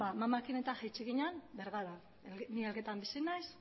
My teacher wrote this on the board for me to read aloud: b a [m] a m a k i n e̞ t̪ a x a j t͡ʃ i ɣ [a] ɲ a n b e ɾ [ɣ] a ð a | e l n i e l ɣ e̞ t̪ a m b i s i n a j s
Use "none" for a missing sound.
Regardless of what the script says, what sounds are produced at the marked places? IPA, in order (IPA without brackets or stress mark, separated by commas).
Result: m, i, ɣ